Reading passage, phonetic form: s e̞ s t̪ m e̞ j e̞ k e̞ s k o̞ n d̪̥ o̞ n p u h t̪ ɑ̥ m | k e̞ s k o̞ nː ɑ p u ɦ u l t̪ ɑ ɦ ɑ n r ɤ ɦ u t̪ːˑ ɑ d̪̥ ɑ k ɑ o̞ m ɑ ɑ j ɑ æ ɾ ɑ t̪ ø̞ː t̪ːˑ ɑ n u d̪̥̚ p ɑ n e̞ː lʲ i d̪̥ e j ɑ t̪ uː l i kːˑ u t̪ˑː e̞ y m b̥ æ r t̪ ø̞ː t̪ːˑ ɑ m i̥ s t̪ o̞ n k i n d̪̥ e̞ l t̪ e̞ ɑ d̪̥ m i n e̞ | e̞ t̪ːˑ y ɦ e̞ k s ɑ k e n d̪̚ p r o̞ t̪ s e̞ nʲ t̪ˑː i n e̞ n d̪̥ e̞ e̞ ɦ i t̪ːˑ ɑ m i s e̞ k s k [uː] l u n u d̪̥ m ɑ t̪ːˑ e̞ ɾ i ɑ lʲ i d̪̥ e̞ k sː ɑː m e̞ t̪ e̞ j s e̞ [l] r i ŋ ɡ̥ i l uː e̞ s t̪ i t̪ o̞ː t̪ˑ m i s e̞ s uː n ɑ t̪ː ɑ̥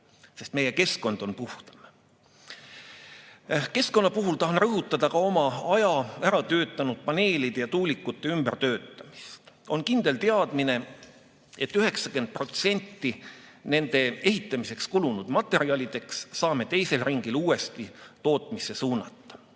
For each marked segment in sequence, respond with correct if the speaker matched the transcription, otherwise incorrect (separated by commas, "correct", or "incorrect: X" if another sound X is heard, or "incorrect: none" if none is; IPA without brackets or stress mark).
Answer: incorrect: u, correct